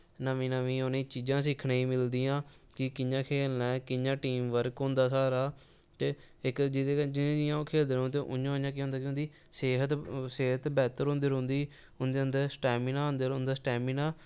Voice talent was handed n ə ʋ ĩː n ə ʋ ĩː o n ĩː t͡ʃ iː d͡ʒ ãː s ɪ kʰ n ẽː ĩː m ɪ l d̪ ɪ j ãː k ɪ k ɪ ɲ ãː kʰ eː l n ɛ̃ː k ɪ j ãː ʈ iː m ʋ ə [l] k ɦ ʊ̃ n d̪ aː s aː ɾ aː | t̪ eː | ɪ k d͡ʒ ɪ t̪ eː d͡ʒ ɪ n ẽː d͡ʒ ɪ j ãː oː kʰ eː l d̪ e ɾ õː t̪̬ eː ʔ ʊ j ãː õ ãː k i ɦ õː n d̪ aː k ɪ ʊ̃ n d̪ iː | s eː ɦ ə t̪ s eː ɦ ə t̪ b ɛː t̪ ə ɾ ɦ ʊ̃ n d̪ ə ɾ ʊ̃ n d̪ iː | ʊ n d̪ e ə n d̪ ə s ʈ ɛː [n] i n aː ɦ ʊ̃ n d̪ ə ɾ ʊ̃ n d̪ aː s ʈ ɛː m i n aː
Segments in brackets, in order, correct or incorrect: incorrect: ɾ, incorrect: m

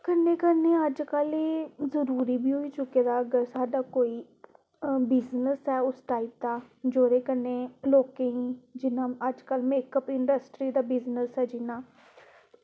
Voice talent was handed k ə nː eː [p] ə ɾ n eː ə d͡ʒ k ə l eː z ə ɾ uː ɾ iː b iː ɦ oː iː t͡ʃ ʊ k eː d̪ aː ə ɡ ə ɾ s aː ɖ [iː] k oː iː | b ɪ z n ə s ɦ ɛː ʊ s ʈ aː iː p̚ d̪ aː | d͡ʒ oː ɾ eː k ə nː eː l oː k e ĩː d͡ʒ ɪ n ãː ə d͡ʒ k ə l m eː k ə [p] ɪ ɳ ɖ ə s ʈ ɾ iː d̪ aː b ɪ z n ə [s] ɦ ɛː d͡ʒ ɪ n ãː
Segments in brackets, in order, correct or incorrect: incorrect: k, incorrect: aː, correct, correct

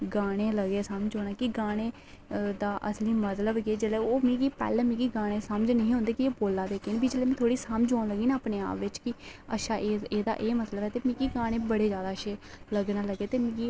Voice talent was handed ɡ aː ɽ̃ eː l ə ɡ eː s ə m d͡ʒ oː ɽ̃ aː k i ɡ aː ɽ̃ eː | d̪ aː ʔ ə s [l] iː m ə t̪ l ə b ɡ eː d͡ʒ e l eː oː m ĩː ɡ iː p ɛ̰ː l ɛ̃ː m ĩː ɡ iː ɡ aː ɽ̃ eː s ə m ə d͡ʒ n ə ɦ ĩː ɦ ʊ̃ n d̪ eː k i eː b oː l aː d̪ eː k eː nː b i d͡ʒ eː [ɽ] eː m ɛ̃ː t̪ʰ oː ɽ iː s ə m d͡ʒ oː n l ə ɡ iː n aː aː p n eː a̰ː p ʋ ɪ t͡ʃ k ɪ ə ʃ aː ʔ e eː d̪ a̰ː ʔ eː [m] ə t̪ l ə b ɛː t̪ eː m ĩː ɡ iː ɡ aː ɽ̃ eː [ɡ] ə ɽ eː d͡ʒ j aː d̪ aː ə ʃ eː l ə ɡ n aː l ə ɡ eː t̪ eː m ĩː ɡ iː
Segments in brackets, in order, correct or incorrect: correct, incorrect: l, correct, incorrect: b

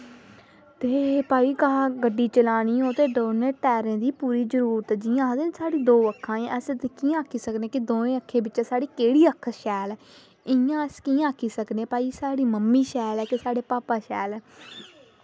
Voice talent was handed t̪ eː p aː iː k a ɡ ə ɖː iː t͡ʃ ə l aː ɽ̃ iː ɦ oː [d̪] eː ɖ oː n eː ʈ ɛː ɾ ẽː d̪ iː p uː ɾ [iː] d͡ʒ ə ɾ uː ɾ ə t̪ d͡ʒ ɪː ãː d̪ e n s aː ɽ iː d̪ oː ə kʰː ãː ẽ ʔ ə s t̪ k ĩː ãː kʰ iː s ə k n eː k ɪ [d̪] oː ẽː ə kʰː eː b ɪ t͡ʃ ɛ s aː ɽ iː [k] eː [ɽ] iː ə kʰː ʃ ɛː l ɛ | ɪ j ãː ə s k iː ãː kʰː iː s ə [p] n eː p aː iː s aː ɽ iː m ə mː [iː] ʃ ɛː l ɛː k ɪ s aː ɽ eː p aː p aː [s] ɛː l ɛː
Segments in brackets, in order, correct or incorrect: incorrect: t̪, correct, correct, correct, correct, incorrect: k, correct, incorrect: ʃ

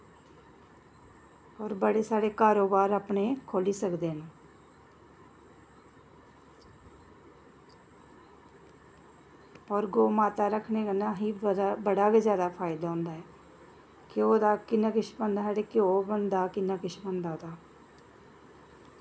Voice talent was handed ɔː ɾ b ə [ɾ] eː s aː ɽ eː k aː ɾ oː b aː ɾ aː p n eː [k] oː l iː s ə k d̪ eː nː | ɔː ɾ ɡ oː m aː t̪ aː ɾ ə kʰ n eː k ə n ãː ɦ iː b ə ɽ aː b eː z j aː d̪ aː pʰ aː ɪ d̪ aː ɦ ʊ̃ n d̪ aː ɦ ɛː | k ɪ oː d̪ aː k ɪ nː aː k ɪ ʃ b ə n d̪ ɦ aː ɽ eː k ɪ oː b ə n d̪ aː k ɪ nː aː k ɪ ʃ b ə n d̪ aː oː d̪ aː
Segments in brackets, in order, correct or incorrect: incorrect: ɽ, incorrect: kʰ

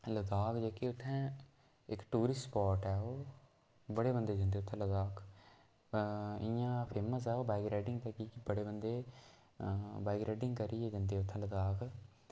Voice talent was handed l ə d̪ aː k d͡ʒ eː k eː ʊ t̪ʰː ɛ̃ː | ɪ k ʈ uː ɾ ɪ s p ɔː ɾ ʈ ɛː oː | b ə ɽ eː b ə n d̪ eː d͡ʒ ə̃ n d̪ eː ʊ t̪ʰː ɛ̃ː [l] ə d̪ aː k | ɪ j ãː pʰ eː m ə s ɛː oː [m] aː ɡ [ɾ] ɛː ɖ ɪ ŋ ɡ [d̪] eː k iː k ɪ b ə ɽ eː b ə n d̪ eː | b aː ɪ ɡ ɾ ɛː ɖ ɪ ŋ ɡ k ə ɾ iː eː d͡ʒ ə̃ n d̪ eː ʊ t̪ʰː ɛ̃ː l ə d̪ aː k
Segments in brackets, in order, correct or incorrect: correct, incorrect: b, correct, incorrect: t̪

